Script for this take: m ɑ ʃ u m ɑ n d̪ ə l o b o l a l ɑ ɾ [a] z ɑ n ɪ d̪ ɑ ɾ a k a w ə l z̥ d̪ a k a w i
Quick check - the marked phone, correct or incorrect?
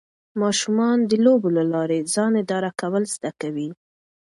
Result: incorrect